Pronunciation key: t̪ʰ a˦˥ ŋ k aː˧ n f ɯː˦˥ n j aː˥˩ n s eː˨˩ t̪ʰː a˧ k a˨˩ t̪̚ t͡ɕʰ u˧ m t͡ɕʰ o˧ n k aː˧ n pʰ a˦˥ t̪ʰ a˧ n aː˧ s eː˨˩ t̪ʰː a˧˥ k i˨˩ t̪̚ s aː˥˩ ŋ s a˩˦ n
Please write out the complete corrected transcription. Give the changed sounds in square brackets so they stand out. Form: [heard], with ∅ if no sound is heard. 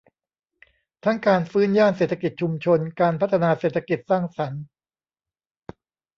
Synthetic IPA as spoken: t̪ʰ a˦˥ ŋ k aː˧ n f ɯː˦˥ n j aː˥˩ n s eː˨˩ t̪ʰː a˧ k [i˨˩] t̪̚ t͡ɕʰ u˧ m t͡ɕʰ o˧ n k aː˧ n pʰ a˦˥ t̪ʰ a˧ n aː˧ s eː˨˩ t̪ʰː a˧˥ k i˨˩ t̪̚ s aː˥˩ ŋ s a˩˦ n